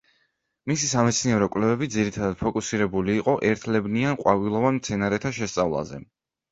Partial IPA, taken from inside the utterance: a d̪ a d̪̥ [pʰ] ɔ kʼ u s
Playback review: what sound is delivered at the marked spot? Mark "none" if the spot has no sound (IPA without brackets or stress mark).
pʰ